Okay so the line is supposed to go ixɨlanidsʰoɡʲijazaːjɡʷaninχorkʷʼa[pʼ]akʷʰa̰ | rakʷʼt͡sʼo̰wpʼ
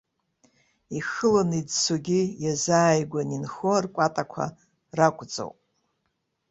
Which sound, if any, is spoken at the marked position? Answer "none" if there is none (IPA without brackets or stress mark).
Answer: tʼ